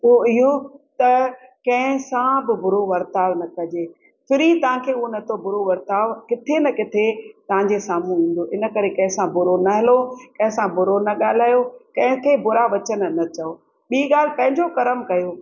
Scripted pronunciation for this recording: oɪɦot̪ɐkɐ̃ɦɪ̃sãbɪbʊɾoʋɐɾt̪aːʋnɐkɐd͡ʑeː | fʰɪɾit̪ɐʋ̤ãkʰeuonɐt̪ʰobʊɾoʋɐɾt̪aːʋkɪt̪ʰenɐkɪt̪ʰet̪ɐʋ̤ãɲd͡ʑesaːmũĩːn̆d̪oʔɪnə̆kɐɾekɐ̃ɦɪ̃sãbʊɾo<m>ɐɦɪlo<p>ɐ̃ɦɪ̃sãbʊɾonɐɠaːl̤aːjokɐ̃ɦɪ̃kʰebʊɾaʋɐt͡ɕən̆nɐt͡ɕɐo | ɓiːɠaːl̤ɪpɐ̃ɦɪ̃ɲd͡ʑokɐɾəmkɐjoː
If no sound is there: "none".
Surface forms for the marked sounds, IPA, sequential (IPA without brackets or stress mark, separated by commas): n, k